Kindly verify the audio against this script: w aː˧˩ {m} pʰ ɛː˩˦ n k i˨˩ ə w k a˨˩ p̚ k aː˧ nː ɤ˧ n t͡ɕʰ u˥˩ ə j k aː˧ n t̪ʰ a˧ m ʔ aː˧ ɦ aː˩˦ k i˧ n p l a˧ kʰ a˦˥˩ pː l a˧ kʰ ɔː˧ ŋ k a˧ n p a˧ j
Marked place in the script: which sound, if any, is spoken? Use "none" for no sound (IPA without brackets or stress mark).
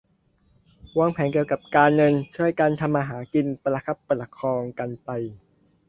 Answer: ŋ